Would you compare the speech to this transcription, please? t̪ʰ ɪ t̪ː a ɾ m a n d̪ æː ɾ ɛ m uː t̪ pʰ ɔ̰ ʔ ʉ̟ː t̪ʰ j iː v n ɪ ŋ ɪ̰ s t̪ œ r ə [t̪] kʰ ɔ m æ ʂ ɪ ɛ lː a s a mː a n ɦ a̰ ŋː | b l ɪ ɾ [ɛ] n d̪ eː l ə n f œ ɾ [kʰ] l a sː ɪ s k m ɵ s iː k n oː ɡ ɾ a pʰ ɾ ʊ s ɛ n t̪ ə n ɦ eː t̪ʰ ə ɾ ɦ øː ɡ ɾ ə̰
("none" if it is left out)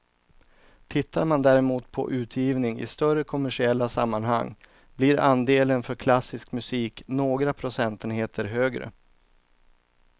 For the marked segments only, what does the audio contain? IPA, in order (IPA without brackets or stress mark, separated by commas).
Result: none, a, kʰ